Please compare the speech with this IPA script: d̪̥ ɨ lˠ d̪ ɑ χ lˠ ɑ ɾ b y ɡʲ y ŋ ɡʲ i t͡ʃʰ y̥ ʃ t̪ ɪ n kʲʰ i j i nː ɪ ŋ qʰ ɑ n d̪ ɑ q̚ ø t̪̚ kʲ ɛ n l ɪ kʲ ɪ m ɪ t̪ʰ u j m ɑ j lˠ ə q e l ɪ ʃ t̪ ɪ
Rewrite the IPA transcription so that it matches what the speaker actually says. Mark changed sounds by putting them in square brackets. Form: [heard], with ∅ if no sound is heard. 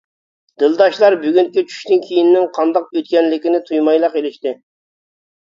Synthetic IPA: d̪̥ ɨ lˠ d̪ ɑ [ʃ] lˠ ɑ ɾ b y ɡʲ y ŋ [kʲ] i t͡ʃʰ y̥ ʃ t̪ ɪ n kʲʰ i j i nː ɪ ŋ qʰ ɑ n d̪ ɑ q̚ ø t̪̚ kʲ ɛ n l ɪ kʲ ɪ [n] ɪ t̪ʰ u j m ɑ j lˠ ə q e l ɪ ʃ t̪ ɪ